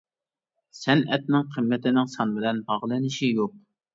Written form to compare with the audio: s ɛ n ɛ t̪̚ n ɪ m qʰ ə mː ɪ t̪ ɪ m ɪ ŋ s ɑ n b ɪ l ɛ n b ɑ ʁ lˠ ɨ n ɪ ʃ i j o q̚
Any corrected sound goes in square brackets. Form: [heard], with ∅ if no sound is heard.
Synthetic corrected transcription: s ɛ n ɛ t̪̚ n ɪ [ŋ] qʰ ə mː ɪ t̪ ɪ [n] ɪ ŋ s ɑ n b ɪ l ɛ n b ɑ ʁ lˠ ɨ n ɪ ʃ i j o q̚